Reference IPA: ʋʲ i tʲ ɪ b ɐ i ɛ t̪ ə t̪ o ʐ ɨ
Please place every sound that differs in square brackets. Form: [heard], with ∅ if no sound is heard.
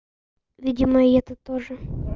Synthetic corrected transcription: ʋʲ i [dʲ] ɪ [m] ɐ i ɛ t̪ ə t̪ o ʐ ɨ